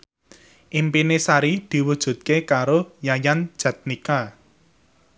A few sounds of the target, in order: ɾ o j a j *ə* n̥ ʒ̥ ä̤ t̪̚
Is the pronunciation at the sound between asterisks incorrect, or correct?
incorrect